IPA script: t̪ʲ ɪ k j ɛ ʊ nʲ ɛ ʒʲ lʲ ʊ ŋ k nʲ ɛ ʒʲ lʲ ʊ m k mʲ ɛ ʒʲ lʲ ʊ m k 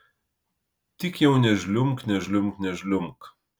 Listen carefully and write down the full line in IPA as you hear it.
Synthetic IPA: t̪ʲ ɪ k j ɛ ʊ nʲ ɛ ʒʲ lʲ ʊ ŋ k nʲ ɛ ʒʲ lʲ ʊ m k nʲ ɛ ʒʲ lʲ ʊ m k